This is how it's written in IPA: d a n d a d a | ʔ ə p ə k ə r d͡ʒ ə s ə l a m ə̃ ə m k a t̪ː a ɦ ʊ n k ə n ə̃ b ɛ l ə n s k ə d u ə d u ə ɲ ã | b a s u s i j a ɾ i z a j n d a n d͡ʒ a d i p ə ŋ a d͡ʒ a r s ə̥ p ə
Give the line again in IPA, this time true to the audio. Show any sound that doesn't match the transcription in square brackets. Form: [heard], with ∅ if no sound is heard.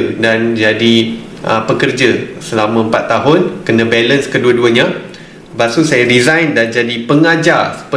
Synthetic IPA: d a n [d͡ʒ] a d [i] | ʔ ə p ə k ə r d͡ʒ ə s ə l a m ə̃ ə m [p] a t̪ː a ɦ ʊ n k ə n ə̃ b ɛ l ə n s k ə d u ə d u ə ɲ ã | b a s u s [a] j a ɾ i z a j n d a n d͡ʒ a d i p ə ŋ a d͡ʒ a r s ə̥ p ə